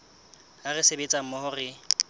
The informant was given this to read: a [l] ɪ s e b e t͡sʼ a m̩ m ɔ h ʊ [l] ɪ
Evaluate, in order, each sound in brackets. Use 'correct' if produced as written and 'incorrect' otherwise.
incorrect, incorrect

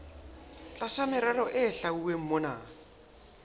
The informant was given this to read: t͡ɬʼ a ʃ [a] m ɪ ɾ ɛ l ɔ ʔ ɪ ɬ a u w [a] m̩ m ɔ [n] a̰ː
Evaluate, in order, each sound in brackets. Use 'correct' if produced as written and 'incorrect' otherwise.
correct, incorrect, correct

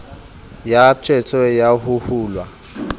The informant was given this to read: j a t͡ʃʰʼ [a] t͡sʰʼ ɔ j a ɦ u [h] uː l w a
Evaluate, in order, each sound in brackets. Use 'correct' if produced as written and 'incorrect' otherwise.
incorrect, correct

